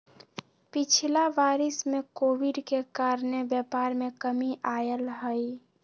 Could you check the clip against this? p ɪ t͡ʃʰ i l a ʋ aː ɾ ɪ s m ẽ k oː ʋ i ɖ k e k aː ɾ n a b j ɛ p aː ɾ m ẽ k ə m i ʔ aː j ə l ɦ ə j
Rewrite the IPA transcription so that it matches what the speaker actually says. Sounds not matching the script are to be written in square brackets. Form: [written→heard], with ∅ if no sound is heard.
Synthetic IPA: p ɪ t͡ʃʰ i l a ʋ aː ɾ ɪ s m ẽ k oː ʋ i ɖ k e k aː ɾ n [a→e] b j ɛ p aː ɾ m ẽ k ə m i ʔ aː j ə l ɦ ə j